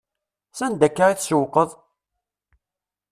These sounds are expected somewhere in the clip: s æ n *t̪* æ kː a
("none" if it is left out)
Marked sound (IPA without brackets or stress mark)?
d̪